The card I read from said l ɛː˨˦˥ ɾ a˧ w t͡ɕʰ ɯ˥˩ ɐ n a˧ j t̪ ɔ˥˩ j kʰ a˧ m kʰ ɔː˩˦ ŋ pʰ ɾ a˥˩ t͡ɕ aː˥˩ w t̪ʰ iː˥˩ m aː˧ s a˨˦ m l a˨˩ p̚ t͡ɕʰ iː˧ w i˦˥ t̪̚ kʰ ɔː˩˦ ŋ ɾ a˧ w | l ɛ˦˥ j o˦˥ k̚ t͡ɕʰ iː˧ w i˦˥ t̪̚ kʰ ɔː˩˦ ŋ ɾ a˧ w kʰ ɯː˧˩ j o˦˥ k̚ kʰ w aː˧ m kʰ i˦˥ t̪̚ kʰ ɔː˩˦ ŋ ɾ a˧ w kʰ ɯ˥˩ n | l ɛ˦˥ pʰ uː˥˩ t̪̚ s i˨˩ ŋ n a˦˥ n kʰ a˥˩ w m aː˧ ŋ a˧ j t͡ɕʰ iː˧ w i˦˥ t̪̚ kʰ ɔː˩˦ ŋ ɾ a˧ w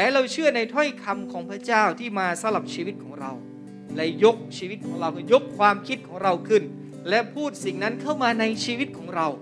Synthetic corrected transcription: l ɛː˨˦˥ ɾ a˧ w t͡ɕʰ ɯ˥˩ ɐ n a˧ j t̪ʰ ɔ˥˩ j kʰ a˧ m kʰ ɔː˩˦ ŋ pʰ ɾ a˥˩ t͡ɕ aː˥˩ w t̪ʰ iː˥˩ m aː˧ s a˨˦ m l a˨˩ p̚ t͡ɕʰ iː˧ w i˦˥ t̪̚ kʰ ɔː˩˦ ŋ ɾ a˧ w | l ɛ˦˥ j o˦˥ k̚ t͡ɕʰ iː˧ w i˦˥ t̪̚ kʰ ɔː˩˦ ŋ ɾ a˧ w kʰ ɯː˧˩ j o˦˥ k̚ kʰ w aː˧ m kʰ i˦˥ t̪̚ kʰ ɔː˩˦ ŋ ɾ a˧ w kʰ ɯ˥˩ n | l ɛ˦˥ pʰ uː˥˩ t̪̚ s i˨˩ ŋ n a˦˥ n kʰ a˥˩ w m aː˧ n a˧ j t͡ɕʰ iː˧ w i˦˥ t̪̚ kʰ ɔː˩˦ ŋ ɾ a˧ w